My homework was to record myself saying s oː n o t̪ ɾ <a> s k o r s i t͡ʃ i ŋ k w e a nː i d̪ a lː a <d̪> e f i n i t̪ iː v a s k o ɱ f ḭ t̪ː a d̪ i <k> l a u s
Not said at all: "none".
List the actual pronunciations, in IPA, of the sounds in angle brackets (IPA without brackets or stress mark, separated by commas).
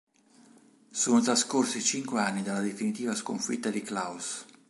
a, d̪, k